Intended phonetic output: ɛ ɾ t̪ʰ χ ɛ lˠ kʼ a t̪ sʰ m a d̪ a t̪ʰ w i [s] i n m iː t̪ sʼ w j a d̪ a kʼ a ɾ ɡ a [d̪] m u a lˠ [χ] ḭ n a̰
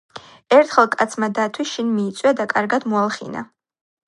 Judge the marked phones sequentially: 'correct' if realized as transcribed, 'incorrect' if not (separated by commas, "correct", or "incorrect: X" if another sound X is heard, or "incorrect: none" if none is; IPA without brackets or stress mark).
incorrect: ʃ, correct, correct